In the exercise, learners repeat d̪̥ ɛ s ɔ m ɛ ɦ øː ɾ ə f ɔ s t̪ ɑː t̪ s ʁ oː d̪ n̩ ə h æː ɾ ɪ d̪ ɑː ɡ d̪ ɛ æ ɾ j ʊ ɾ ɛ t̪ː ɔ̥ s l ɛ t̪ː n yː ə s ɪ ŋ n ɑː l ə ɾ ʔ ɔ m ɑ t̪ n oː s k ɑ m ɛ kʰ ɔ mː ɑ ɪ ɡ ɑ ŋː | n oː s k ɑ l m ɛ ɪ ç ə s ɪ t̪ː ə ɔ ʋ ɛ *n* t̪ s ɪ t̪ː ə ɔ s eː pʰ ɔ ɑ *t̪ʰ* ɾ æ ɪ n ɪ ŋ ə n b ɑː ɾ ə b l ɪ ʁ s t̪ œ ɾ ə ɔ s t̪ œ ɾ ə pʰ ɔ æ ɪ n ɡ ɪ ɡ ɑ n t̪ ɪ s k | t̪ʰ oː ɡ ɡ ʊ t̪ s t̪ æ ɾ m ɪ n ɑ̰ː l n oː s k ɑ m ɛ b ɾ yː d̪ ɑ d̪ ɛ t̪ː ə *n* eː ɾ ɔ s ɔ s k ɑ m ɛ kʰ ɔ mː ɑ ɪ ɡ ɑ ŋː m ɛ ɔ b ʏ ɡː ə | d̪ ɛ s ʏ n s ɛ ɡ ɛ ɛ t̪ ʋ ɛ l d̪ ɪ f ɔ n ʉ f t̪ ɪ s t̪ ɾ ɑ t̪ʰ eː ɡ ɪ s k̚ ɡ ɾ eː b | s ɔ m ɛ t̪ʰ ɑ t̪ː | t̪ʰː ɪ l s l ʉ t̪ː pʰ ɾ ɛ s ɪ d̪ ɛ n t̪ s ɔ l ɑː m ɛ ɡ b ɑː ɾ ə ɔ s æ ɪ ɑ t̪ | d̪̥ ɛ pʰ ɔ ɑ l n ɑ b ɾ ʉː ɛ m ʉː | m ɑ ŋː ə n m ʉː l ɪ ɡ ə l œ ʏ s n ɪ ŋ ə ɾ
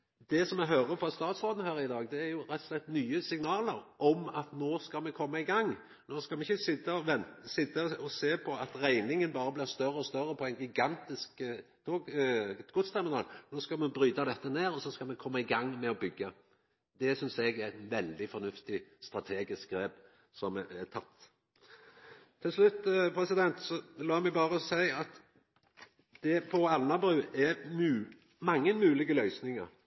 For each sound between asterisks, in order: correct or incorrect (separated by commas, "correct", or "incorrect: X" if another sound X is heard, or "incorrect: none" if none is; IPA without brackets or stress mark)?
correct, incorrect: t̪, correct